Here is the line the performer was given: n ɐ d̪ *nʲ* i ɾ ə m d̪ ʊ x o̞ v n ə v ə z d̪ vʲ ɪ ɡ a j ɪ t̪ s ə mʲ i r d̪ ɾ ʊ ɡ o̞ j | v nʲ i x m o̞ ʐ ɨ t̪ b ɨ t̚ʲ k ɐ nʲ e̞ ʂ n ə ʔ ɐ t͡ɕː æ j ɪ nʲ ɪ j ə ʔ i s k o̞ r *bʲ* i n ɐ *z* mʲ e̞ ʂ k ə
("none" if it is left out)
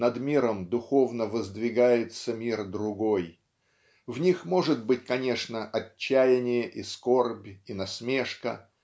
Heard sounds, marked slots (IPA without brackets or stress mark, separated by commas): mʲ, bʲ, s